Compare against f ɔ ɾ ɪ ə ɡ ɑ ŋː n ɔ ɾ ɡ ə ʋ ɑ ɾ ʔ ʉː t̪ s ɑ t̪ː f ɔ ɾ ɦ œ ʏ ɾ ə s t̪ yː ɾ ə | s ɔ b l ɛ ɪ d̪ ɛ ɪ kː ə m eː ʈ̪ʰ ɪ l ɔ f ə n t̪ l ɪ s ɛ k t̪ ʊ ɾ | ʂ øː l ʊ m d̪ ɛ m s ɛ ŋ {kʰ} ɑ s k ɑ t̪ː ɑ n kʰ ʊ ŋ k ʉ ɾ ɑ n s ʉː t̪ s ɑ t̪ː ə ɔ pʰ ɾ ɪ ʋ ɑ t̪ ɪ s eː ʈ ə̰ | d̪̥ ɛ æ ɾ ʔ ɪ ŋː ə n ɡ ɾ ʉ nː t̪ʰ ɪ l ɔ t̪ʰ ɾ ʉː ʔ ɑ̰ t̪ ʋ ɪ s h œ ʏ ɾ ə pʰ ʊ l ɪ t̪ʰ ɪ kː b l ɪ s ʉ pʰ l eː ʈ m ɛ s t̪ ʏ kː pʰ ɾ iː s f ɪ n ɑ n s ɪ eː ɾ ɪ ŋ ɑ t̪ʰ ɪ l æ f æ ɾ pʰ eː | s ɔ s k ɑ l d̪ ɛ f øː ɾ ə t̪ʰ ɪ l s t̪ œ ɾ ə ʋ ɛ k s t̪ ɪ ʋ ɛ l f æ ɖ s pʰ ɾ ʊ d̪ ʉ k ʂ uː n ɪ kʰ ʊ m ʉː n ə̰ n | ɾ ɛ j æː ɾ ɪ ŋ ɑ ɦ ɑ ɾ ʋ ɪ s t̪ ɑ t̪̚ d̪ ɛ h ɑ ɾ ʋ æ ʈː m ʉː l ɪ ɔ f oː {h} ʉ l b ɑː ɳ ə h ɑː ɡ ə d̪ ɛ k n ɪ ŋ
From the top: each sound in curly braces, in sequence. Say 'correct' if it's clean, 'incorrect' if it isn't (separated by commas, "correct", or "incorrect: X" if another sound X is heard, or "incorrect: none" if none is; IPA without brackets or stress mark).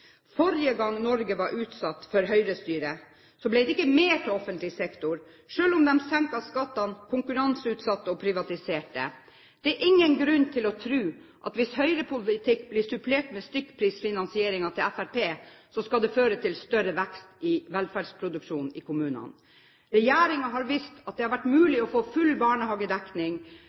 incorrect: k, incorrect: f